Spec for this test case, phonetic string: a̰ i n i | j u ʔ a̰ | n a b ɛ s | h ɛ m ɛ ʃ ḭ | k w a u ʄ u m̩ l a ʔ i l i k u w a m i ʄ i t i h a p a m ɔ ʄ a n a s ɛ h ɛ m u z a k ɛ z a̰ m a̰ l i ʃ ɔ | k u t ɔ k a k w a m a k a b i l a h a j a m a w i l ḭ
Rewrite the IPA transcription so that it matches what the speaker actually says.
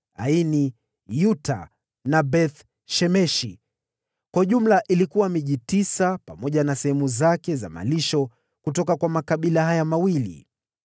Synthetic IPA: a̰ i n i | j u t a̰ | n a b ɛ θ | ʃ ɛ m ɛ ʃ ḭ | k w a u ʄ u m̩ l a ʔ i l i k u w a m i ʄ i t i s a p a m ɔ ʄ a n a s ɛ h ɛ m u z a k ɛ z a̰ m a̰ l i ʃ ɔ | k u t ɔ k a k w a m a k a ɓ i l a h a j a m a w i l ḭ